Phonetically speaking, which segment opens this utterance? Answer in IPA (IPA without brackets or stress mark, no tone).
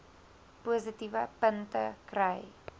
p